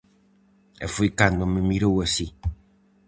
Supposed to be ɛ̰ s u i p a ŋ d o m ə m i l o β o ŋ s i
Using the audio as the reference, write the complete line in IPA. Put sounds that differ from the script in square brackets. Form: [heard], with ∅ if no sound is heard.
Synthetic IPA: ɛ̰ [f] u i [k] a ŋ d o m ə m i [ɾ] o [w] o [∅] s i